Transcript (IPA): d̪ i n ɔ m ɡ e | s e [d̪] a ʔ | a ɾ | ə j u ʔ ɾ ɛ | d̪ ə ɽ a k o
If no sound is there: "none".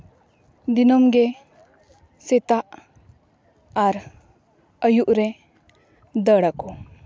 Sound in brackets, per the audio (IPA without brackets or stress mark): t̪